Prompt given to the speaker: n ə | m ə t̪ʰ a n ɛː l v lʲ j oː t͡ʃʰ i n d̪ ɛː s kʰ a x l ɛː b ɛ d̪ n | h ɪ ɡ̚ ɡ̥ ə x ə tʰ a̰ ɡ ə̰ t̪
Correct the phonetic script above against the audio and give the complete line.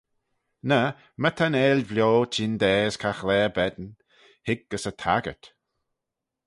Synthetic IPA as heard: n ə | m ə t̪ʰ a n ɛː l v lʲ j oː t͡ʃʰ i n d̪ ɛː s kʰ a x l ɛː b ɛ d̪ n | h ɪ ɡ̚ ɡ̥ ə s ə tʰ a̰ ɡ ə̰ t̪

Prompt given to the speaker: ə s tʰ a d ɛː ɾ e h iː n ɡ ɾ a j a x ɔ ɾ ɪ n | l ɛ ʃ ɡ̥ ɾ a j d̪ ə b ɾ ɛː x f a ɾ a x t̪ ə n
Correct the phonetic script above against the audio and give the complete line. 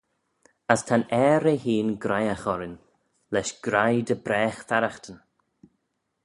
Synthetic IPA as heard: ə s tʰ a n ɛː ɾ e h iː n ɡ ɾ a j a x ɔ ɾ ɪ n | l ɛ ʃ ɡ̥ ɾ a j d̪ ə b ɾ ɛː x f a ɾ a x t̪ ə n

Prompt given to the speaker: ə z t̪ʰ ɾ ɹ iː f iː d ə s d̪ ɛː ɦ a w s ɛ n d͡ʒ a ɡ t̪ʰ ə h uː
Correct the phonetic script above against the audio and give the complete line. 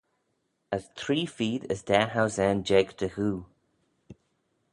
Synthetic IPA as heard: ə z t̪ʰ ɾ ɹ iː f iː d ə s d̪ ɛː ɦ a w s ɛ n d͡ʒ ɛ ɡ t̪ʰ ə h uː

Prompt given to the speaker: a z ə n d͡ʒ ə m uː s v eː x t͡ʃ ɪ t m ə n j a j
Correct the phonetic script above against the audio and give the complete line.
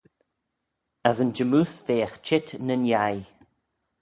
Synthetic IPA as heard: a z ə n d͡ʒ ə m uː s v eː x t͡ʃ ɪ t n ə n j a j

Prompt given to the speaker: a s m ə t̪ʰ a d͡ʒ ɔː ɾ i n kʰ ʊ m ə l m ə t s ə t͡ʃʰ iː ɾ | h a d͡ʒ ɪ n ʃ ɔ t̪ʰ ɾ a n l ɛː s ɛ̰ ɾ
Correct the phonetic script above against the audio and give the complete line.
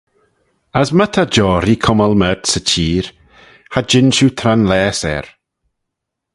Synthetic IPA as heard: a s m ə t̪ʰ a d͡ʒ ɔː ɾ i kʰ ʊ m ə l m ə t s ə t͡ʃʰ iː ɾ | h a d͡ʒ ɪ n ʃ u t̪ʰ ɾ a n l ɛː s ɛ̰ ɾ

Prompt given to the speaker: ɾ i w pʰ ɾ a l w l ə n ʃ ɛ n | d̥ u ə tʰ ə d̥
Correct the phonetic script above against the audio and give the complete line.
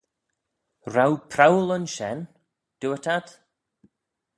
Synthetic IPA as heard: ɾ a w pʰ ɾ a w l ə n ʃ ɛ n | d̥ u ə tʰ a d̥

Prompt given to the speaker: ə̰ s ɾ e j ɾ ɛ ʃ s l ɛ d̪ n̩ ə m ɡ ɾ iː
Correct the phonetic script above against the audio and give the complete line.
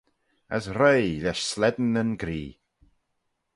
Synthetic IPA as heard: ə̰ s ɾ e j l ɛ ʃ s l ɛ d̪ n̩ ə n ɡ ɾ iː

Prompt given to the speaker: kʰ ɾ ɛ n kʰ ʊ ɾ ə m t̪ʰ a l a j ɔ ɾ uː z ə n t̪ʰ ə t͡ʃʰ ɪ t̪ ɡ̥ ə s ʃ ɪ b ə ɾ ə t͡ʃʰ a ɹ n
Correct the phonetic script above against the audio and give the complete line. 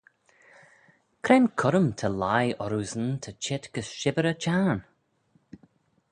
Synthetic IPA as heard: kʰ ɾ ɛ n kʰ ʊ ɾ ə m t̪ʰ ə l a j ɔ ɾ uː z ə n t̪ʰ ə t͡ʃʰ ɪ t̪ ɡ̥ ə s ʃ ɪ b ə ɾ ə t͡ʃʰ a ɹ n

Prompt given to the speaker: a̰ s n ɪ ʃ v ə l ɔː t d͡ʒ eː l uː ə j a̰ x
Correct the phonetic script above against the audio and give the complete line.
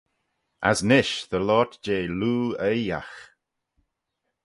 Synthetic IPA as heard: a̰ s n ɪ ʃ ð ə l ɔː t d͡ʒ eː l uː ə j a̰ x

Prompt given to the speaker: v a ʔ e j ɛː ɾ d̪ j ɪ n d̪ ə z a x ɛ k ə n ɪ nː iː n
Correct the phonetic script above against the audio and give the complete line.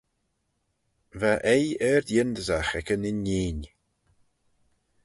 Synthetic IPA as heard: v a ʔ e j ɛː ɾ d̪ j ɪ n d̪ ə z a x ɛ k ə n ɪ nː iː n

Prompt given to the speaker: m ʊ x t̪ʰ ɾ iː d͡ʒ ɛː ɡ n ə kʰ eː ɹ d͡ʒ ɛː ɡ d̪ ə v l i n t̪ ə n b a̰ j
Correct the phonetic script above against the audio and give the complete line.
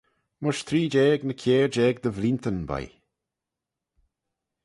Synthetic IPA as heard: m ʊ ʃ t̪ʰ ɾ iː d͡ʒ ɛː ɡ n ə kʰ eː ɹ d͡ʒ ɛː ɡ d̪ ə v l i n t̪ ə n b a̰ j

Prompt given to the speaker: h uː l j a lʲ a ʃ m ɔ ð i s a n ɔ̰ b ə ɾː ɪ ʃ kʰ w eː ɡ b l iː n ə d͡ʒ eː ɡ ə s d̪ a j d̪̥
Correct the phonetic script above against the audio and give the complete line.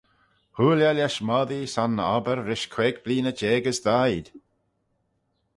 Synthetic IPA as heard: h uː l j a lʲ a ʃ m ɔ ð i s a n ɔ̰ b ə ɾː ɪ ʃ kʰ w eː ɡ b l iː n ə d͡ʒ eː ɡ ə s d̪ a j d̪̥

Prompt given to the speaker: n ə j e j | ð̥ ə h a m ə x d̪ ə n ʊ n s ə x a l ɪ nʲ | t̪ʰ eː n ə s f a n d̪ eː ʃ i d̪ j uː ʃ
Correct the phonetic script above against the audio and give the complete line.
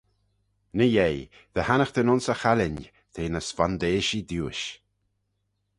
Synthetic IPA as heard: n ə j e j | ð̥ ə h a n ə x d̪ ə n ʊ n s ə x a l ɪ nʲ | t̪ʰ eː n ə s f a n d̪ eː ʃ i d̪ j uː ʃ

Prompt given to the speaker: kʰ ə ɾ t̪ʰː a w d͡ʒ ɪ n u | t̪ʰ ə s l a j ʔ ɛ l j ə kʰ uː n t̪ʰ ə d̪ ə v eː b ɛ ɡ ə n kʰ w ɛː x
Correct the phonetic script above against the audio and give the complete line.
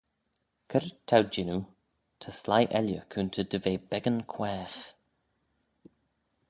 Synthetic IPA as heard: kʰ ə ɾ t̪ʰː a w d͡ʒ ɪ n u | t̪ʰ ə s l a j ʔ ɛ l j ə kʰ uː n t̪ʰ ə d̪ ə v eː b ɛ ɡ ə n kʰ w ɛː x

